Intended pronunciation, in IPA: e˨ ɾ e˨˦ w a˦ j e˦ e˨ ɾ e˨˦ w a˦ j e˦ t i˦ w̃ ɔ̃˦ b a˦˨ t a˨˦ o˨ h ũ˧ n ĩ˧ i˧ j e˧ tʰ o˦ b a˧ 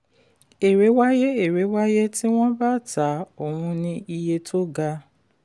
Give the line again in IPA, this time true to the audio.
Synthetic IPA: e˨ ɾ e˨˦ w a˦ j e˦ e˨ ɾ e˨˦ w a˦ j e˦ t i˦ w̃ ɔ̃˦ b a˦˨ t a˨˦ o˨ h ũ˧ n ĩ˧ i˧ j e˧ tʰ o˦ ɡ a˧